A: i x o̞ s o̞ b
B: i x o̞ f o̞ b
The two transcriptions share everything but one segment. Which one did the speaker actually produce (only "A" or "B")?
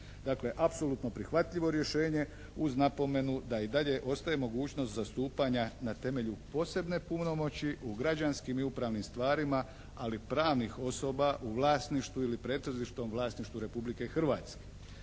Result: A